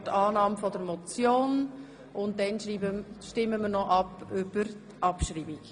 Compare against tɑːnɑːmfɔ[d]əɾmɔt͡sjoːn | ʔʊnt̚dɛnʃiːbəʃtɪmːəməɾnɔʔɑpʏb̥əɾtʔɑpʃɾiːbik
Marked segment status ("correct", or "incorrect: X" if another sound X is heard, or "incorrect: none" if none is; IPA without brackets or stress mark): correct